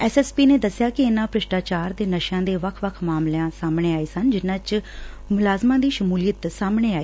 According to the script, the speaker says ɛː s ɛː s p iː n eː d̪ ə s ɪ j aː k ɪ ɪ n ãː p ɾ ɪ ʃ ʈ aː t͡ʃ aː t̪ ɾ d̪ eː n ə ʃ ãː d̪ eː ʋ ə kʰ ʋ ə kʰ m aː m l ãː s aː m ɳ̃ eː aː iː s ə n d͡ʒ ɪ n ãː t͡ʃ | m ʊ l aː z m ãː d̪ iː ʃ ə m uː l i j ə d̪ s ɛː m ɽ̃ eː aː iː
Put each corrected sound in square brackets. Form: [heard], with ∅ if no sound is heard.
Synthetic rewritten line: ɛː s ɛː s p iː n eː d̪ ə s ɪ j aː k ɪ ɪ n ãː p ɾ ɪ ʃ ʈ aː t͡ʃ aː [∅] ɾ d̪ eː n ə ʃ ãː d̪ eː ʋ ə kʰ ʋ ə kʰ m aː m l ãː s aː m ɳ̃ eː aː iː s ə n d͡ʒ ɪ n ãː t͡ʃ | m ʊ l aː z m ãː d̪ iː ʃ ə m uː l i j ə [t̪] s [aː] m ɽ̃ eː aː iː

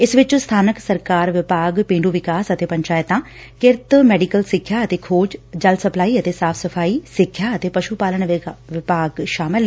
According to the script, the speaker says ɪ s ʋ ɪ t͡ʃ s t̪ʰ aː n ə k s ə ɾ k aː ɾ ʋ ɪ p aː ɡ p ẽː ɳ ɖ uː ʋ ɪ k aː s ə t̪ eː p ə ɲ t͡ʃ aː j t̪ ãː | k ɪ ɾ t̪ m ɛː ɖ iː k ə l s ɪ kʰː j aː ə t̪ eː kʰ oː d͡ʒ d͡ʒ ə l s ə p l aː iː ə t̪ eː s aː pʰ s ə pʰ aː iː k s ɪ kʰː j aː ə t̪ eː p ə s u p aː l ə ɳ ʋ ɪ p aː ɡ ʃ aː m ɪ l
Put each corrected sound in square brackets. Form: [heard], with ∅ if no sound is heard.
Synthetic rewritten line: ɪ s ʋ ɪ t͡ʃ s t̪ʰ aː n ə k s ə ɾ k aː ɾ ʋ ɪ p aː ɡ p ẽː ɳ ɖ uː ʋ ɪ k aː s ə t̪ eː p ə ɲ t͡ʃ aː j t̪ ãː | k ɪ ɾ t̪ m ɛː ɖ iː k ə l s ɪ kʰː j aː ə t̪ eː kʰ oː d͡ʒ d͡ʒ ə l s ə p l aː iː ə t̪ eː s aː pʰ s ə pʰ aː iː [∅] s ɪ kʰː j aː ə t̪ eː p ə [ʃ] u p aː l ə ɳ ʋ ɪ p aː ɡ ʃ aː m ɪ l

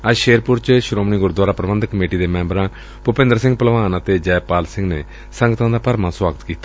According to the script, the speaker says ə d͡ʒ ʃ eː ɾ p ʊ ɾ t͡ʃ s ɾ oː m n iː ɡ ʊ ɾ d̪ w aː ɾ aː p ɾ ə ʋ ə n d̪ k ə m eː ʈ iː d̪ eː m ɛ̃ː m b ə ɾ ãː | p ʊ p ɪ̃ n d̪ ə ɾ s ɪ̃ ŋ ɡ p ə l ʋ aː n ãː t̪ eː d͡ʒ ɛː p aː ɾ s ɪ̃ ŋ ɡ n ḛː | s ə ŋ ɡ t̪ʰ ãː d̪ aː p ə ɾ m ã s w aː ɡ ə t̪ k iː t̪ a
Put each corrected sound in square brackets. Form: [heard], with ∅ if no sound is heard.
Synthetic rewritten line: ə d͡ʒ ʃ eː ɾ p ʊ ɾ t͡ʃ [ʃ] ɾ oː m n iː ɡ ʊ ɾ d̪ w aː ɾ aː p ɾ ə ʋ ə n d̪ k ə m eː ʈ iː d̪ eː m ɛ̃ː m b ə ɾ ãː | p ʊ p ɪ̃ n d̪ ə ɾ s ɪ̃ ŋ ɡ p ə l ʋ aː n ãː t̪ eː d͡ʒ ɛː p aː [l] s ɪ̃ ŋ ɡ n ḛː | s ə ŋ ɡ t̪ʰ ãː d̪ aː p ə ɾ m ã s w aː ɡ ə t̪ k iː t̪ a

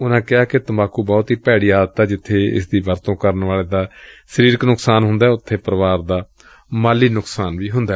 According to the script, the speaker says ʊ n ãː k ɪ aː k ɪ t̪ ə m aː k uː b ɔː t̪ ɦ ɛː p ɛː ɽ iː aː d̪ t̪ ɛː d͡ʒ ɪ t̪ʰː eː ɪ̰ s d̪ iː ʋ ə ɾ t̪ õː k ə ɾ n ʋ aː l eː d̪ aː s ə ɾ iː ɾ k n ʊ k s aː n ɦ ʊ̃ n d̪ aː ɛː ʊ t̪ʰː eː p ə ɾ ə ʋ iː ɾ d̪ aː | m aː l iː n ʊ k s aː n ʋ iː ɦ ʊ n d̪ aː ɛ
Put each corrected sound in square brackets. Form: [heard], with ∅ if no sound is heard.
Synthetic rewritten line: ʊ n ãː k ɪ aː k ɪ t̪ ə m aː k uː b ɔː t̪ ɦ [iː] p ɛː ɽ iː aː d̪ t̪ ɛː d͡ʒ ɪ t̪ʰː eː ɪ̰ s d̪ iː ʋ ə ɾ t̪ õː k ə ɾ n ʋ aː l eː d̪ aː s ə ɾ iː ɾ k n ʊ k s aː n ɦ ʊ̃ n d̪ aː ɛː ʊ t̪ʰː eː p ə ɾ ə ʋ [aː] ɾ d̪ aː | m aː l iː n ʊ k s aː n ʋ iː ɦ ʊ n d̪ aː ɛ

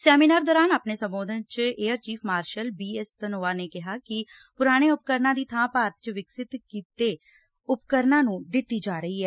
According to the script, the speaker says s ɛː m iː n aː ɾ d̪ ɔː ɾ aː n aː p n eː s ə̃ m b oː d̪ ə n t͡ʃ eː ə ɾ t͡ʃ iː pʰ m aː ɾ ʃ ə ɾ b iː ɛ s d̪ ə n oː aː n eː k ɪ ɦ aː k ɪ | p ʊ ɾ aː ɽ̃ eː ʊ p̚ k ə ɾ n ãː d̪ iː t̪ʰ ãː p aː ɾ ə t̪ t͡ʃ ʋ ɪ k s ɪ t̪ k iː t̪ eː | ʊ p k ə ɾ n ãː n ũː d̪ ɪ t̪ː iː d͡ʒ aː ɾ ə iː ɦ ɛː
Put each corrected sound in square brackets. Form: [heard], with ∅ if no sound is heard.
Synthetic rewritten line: s ɛː m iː n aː ɾ d̪ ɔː ɾ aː n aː p n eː s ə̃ m b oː d̪ ə n t͡ʃ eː ə ɾ t͡ʃ iː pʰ m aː ɾ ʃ ə [l] b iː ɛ s [t̪] ə n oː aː n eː k ɪ ɦ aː k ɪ | p ʊ ɾ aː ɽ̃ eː ʊ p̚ k ə ɾ n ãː d̪ iː t̪ʰ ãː p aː ɾ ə t̪ t͡ʃ ʋ ɪ k s ɪ t̪ k iː t̪ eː | ʊ p k ə ɾ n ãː n ũː d̪ ɪ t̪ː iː d͡ʒ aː ɾ ə iː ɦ ɛː

